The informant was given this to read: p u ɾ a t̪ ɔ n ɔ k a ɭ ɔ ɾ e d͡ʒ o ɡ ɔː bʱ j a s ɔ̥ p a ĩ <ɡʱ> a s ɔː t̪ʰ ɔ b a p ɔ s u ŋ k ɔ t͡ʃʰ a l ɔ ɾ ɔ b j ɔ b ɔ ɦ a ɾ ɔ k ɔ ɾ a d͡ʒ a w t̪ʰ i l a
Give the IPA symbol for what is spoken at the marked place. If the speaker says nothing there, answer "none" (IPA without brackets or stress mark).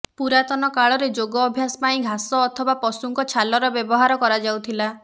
ɡʱ